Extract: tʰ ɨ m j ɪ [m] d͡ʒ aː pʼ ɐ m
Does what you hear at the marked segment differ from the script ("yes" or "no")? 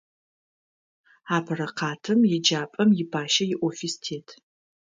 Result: yes